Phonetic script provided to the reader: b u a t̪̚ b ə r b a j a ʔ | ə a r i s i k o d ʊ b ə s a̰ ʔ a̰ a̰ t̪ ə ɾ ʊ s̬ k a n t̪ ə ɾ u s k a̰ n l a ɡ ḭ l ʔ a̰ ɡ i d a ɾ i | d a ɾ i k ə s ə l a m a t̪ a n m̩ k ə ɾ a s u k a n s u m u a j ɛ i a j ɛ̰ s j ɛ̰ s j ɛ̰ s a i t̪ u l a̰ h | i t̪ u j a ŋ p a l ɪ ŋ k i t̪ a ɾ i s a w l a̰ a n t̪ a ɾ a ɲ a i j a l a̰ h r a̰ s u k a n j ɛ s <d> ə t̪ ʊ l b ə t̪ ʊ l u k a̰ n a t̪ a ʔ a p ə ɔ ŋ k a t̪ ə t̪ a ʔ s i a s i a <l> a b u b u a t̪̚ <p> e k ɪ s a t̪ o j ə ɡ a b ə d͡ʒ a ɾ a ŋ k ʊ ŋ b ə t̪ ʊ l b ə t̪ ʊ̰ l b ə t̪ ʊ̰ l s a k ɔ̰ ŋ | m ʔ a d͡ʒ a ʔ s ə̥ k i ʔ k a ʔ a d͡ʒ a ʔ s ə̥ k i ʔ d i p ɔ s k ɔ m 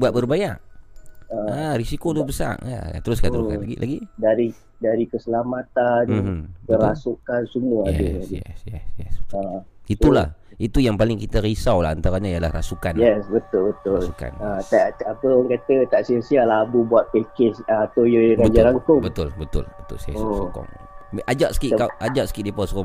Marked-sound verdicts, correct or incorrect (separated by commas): incorrect, correct, correct